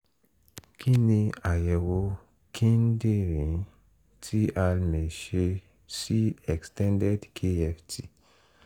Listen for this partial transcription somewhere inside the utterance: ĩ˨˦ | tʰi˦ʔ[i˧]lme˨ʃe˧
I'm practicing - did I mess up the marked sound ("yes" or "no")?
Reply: yes